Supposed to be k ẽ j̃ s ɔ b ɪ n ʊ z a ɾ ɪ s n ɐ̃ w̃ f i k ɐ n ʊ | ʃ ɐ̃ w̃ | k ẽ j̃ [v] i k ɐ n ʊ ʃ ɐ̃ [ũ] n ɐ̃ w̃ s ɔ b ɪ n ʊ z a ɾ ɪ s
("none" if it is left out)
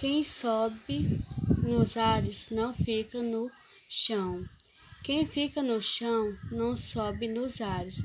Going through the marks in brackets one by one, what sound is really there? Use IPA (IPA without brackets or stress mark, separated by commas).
f, w̃